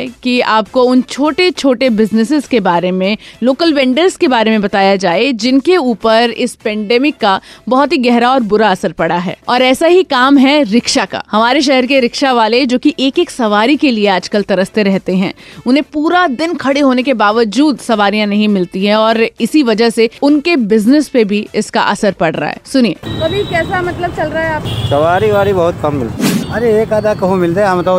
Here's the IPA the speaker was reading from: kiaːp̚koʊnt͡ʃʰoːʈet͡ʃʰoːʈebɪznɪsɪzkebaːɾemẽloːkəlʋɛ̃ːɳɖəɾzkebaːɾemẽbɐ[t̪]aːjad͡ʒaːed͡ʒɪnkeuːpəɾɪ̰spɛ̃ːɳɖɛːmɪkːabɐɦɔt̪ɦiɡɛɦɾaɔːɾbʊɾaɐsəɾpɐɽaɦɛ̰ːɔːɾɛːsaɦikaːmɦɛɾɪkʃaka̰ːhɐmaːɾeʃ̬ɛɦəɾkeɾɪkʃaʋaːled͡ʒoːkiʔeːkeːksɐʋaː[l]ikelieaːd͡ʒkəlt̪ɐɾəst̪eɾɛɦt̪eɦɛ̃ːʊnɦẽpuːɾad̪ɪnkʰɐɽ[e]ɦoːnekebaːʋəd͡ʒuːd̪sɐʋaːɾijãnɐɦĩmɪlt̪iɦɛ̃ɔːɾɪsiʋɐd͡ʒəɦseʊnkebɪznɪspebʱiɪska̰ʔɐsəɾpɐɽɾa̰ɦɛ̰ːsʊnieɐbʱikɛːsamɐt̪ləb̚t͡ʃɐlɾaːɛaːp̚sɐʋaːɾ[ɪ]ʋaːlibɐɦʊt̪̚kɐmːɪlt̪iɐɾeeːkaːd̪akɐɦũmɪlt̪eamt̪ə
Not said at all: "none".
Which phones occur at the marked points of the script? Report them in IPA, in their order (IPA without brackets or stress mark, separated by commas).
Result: t̪, ɾ, e, i